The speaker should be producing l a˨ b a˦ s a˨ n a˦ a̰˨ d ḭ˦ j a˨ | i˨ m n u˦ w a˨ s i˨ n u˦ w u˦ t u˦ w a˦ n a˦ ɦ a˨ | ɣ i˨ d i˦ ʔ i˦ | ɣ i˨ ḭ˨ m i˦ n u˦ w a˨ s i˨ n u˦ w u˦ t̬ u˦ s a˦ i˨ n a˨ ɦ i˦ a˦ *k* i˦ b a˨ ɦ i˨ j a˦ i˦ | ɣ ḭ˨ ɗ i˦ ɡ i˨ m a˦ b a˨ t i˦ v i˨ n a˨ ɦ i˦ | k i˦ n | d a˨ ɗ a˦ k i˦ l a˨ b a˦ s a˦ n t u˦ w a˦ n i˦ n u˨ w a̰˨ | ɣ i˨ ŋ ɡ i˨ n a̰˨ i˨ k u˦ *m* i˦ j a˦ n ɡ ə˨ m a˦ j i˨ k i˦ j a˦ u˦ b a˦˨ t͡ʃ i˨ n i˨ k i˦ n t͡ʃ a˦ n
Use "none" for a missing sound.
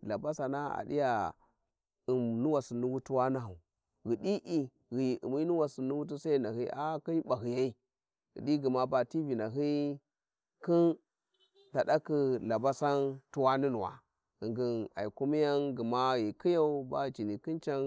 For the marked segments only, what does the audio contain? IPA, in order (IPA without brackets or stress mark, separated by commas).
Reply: k, m